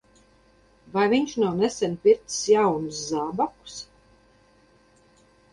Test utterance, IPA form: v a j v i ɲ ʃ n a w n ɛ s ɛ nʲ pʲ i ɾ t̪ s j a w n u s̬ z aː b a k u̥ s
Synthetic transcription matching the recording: v a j v i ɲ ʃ n a w n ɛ s ɛ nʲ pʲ i ɾ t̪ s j a w n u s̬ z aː b a k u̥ s